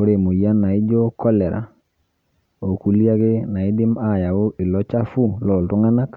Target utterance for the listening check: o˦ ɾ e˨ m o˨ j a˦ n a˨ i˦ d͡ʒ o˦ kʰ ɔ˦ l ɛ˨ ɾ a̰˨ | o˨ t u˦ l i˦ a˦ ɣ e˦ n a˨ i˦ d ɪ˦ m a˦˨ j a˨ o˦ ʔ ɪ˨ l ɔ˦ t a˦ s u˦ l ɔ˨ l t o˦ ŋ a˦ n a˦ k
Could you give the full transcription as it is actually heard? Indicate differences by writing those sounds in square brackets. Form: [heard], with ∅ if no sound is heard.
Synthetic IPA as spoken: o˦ ɾ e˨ m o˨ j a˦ n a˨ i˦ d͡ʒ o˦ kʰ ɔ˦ l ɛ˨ ɾ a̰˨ | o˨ [k] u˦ l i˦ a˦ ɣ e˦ n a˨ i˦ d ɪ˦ m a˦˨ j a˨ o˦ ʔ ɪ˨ l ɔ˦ [t͡ʃ] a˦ [f] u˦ l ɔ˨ l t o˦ ŋ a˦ n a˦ k